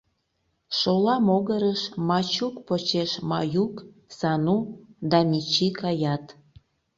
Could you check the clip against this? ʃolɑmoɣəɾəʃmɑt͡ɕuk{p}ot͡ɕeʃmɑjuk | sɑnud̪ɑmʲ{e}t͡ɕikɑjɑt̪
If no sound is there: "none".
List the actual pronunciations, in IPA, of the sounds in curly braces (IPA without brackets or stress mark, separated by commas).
p, i